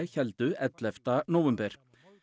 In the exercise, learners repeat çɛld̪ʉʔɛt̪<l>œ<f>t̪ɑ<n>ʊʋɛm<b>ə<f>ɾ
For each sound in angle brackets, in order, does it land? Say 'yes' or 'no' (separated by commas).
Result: yes, yes, yes, yes, no